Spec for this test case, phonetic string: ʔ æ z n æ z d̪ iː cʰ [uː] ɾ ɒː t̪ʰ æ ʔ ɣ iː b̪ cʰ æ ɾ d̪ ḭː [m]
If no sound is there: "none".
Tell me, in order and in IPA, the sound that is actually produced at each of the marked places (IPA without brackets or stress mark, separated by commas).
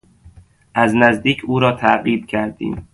uː, m